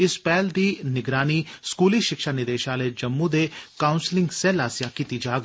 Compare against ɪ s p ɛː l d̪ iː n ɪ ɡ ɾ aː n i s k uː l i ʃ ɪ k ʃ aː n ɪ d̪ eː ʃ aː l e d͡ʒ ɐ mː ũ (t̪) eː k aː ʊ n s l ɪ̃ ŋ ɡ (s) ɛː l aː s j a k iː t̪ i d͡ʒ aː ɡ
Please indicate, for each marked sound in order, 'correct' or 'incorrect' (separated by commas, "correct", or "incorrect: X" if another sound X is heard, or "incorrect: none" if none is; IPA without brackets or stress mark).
incorrect: d̪, correct